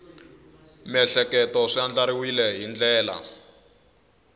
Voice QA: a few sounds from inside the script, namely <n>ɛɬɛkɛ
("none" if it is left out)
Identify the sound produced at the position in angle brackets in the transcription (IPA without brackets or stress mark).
m